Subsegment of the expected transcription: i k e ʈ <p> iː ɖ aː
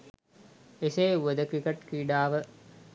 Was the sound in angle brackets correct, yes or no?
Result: no